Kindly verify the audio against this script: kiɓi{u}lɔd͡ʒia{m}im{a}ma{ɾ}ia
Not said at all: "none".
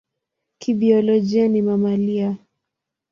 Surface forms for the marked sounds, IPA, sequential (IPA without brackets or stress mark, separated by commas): ɔ, n, a, l